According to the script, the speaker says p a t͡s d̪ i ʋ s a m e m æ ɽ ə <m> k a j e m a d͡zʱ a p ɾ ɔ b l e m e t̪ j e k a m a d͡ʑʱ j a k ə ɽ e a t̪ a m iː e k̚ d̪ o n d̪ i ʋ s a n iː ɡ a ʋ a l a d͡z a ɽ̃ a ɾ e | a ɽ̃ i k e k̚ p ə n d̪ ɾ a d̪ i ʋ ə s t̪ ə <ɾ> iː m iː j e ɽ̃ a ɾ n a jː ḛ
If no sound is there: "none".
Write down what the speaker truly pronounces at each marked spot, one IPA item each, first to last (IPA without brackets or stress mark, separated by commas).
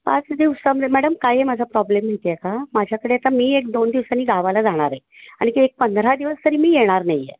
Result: m, ɾ